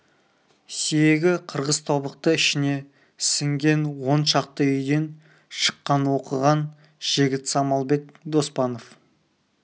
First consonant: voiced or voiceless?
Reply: voiceless